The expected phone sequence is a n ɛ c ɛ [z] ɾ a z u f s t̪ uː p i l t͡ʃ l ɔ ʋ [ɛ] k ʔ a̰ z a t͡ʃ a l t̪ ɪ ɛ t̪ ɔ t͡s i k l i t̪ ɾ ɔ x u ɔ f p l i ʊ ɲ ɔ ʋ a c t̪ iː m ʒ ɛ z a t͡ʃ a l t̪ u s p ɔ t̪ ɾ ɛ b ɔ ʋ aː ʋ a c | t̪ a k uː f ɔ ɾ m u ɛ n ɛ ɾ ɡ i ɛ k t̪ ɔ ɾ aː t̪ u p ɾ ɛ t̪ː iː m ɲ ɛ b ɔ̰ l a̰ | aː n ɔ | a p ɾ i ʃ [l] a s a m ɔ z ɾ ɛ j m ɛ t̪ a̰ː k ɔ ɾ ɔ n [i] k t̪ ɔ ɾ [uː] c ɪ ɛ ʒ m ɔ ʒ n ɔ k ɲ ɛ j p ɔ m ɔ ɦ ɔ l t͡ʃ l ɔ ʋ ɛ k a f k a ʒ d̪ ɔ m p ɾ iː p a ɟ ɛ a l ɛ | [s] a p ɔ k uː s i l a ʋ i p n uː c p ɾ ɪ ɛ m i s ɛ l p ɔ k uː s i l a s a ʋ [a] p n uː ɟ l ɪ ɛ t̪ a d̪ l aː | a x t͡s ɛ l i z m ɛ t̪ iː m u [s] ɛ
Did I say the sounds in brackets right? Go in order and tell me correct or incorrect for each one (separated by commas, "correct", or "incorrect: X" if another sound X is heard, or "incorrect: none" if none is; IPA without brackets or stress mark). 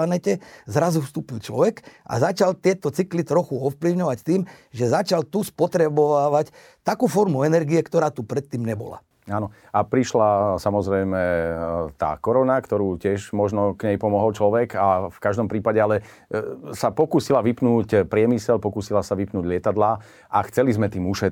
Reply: correct, correct, correct, incorrect: a, correct, correct, incorrect: i, incorrect: ʃ